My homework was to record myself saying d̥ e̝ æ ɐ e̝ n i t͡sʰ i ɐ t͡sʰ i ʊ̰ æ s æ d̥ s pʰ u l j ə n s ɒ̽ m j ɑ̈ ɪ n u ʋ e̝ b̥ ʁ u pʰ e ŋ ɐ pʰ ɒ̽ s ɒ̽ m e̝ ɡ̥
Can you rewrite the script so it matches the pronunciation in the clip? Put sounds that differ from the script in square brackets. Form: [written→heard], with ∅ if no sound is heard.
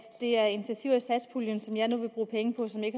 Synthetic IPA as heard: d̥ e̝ æ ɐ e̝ n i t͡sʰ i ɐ t͡sʰ i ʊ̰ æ s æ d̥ s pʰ u l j ə n s ɒ̽ m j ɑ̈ ɪ n u ʋ e̝ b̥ ʁ [u→uː] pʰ e ŋ [ɐ→ə] pʰ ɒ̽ s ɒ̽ m e̝ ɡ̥